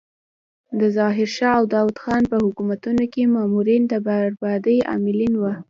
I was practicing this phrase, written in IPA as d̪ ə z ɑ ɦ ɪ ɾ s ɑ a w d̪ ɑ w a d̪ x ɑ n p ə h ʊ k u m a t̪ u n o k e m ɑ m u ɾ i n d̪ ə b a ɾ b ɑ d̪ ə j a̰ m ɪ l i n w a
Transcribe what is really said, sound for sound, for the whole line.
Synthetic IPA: d̪ ə z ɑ ɦ ɪ ɾ ʃ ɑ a w d̪ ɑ w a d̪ x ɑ n p ə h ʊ k u m a t̪ u n o k e m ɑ m u ɾ i n d̪ ə b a ɾ b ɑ d̪ ə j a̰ m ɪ l i n w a